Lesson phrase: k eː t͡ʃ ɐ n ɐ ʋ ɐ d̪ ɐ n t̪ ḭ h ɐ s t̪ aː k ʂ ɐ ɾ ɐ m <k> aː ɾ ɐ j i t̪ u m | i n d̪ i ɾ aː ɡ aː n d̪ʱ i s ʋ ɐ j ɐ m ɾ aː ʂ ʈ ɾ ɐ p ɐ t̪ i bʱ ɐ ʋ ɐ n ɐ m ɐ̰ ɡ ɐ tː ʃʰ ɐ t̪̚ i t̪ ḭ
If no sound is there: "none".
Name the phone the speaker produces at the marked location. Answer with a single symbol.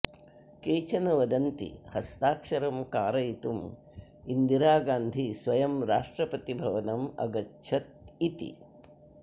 k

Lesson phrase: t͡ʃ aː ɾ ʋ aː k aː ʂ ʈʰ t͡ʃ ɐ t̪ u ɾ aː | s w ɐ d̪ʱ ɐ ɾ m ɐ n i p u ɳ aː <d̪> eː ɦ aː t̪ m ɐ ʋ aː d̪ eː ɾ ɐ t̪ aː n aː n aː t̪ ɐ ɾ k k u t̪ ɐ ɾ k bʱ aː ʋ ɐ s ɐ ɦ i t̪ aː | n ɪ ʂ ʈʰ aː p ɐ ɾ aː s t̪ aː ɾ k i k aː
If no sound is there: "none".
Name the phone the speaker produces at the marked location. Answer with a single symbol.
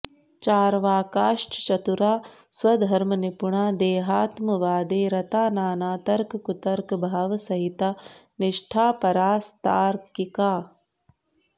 d̪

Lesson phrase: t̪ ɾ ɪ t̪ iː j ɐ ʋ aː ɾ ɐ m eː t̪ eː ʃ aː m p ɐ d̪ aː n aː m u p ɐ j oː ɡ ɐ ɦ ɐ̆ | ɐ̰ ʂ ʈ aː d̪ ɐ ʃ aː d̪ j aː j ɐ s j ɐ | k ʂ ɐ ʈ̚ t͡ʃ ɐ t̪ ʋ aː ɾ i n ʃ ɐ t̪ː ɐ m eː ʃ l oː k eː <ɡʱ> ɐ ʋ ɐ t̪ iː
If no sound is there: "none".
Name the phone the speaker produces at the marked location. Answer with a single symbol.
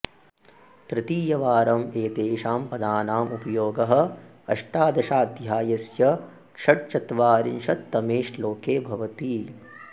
bʱ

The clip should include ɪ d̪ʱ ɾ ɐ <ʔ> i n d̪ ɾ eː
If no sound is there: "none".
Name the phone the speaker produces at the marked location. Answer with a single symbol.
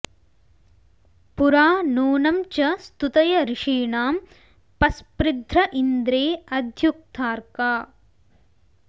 ʔ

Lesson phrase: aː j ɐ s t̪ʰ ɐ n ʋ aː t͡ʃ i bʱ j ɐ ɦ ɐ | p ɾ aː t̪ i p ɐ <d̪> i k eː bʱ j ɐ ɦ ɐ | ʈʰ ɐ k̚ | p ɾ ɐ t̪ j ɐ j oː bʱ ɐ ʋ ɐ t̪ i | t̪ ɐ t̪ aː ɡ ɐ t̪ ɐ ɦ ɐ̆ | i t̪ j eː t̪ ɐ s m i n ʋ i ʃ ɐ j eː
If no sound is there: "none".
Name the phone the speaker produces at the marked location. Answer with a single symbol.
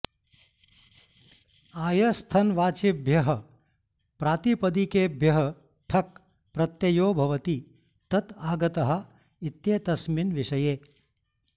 d̪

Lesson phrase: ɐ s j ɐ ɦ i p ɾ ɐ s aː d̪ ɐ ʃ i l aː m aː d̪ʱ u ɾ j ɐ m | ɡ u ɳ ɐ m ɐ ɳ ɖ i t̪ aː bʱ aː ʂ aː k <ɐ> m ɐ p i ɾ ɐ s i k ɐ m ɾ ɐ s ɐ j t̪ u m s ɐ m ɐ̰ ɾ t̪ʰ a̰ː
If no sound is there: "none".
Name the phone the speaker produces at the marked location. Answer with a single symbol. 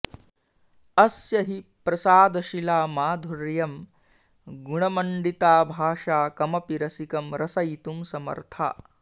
ɐ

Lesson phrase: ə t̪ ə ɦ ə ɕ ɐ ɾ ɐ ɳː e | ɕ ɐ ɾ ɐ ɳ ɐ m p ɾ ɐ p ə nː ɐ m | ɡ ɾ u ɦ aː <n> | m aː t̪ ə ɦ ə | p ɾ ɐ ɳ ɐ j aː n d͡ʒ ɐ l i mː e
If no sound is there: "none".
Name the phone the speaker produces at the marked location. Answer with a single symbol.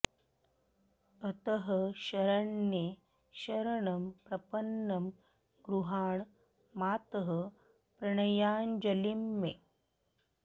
ɳ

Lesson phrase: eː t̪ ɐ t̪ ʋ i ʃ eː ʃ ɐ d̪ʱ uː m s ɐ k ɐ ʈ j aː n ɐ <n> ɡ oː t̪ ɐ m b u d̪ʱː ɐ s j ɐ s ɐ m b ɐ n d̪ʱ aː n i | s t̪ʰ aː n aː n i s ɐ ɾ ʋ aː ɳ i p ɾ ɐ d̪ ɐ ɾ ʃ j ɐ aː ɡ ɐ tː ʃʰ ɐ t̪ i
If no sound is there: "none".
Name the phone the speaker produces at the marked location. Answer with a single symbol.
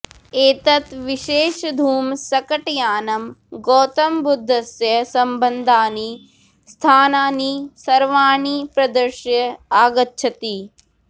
m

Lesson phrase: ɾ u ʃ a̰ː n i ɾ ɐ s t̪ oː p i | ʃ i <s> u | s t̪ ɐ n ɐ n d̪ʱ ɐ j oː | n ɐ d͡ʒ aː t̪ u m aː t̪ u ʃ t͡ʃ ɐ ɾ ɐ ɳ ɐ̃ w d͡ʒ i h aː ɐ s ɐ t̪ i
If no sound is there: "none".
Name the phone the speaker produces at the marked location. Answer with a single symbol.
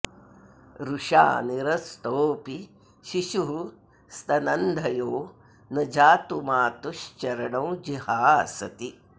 ʃ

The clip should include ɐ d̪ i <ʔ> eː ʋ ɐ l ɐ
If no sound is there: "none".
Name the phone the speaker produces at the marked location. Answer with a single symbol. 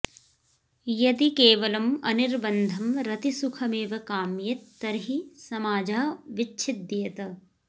k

